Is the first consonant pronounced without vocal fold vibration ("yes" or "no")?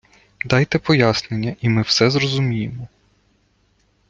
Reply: no